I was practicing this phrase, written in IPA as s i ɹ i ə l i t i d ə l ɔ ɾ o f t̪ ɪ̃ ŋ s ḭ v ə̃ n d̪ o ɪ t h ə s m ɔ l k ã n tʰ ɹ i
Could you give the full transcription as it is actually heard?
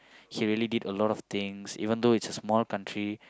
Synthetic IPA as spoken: h i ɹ i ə l i d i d ə l ɔ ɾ ɔ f t̪ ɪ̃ ŋ s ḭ v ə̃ n d̪ o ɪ t s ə s m ɔ l k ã n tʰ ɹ i